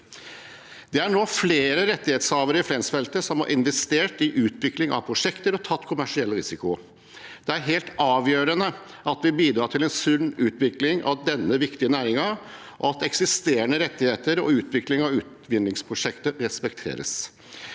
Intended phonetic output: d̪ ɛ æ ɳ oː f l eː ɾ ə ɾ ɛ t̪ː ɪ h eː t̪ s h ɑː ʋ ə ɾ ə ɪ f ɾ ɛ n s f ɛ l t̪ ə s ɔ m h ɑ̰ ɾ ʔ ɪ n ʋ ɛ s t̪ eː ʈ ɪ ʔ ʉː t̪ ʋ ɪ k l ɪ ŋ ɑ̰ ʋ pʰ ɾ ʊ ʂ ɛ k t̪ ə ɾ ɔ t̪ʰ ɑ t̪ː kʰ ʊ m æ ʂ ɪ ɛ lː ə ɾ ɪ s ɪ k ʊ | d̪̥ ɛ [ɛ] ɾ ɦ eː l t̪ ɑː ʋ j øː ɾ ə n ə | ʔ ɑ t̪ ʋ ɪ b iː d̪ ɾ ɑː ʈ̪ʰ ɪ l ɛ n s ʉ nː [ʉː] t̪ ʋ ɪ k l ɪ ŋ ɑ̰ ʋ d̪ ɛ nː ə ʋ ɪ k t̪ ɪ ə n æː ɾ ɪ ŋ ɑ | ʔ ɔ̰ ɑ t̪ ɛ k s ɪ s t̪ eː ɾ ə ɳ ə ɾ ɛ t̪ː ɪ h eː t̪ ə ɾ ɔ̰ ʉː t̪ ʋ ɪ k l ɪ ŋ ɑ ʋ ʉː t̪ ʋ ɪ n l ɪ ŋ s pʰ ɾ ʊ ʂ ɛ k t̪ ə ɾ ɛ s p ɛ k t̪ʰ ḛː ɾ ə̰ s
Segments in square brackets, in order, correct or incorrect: incorrect: æ, correct

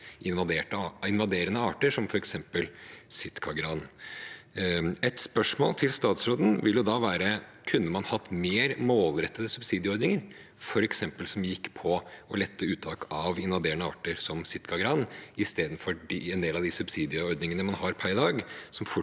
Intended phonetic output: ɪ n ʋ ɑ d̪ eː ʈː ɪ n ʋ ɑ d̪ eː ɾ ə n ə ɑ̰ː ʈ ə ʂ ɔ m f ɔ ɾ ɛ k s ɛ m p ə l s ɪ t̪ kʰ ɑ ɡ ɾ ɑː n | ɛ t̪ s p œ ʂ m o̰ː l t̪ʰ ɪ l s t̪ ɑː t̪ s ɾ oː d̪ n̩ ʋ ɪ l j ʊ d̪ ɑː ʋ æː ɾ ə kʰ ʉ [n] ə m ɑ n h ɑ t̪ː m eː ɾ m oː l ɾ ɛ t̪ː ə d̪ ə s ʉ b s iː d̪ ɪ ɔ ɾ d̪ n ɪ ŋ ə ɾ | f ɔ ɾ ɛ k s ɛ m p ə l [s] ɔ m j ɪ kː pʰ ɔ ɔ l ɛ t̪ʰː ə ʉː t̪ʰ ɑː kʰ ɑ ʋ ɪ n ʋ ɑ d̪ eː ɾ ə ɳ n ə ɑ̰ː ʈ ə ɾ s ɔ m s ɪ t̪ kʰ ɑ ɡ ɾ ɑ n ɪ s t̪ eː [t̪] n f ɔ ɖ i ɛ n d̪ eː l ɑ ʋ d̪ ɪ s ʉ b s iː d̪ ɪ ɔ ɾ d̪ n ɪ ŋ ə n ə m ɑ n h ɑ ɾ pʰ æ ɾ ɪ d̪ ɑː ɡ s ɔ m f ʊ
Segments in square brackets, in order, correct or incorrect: incorrect: nː, correct, incorrect: d̪

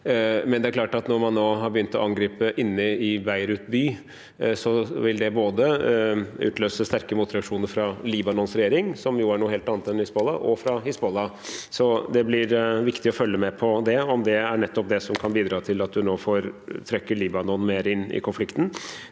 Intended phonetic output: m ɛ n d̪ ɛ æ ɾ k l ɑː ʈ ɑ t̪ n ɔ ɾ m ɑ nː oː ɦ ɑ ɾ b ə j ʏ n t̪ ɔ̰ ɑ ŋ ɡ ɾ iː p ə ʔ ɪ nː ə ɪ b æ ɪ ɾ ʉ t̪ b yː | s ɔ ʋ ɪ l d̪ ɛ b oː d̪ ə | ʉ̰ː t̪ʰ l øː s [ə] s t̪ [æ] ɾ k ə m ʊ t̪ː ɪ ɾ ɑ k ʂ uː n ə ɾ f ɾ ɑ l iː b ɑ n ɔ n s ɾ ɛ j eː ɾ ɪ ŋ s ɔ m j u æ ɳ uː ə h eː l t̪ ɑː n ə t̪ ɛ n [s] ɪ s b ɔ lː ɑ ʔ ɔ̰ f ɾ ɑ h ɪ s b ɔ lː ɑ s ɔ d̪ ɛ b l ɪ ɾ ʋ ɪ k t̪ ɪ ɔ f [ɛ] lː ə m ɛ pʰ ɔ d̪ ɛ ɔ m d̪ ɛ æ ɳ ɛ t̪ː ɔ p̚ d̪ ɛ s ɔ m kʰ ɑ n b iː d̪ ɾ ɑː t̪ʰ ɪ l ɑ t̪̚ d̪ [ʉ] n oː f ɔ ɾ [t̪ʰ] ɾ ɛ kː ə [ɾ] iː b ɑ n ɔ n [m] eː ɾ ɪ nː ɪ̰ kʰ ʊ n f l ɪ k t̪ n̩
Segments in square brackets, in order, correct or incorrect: correct, correct, incorrect: h, incorrect: œ, correct, correct, incorrect: ɭ, correct

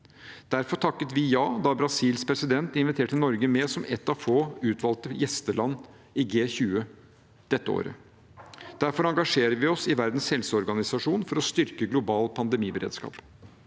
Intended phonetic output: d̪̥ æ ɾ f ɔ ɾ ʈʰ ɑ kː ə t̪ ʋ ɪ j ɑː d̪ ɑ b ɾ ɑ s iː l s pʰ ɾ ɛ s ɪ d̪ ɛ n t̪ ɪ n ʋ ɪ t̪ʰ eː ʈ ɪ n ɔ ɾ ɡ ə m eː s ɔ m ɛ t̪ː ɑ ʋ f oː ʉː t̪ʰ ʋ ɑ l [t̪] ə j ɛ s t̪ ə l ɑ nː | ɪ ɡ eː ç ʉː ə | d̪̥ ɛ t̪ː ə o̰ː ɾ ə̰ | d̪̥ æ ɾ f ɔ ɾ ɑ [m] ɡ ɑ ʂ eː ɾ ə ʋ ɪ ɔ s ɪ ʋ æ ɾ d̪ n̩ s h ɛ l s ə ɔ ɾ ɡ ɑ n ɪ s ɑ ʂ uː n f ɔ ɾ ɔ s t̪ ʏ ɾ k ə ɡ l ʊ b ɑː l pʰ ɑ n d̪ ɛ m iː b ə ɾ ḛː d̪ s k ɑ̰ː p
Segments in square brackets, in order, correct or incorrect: correct, incorrect: ŋ

